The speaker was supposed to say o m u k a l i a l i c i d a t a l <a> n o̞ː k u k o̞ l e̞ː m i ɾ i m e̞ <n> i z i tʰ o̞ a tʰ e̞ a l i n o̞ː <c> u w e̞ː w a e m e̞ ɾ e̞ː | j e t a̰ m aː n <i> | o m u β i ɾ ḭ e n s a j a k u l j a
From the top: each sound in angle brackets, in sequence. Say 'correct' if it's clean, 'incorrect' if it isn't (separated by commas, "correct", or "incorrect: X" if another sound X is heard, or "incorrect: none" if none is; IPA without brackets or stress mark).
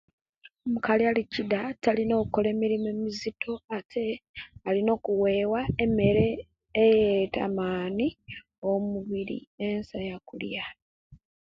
incorrect: i, incorrect: m, incorrect: k, correct